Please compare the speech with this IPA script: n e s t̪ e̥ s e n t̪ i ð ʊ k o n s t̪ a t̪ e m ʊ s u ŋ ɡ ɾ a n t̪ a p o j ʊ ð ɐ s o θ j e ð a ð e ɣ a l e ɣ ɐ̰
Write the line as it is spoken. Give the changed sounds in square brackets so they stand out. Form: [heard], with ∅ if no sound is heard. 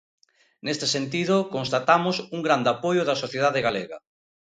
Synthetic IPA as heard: n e s t̪ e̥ s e n t̪ i ð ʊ k o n s t̪ a t̪ [a] m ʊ s u ŋ ɡ ɾ a n [d̪] a p o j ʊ ð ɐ s o θ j e ð a ð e ɣ a l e ɣ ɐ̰